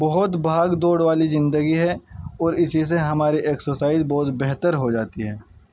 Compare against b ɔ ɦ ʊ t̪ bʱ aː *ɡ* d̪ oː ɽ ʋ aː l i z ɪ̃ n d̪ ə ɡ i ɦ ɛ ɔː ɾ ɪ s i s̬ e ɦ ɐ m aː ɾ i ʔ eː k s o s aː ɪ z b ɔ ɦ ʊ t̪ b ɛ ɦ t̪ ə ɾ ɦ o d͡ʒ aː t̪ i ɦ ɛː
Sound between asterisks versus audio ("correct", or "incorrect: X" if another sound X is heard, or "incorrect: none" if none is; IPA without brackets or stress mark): correct